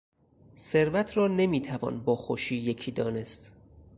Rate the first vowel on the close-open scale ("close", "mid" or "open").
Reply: mid